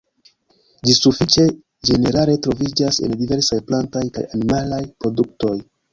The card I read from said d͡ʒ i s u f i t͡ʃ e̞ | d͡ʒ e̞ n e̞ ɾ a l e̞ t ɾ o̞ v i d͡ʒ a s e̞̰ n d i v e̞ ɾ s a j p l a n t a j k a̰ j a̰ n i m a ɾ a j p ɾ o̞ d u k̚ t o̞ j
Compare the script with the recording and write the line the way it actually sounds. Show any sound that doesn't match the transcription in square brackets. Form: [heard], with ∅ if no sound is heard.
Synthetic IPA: d͡ʒ i s u f i t͡ʃ e̞ | d͡ʒ e̞ n e̞ ɾ a l e̞ t ɾ o̞ v i d͡ʒ a s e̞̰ n d i v e̞ ɾ s a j p l a n t a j k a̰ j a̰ n i m a [l] a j p ɾ o̞ d u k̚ t o̞ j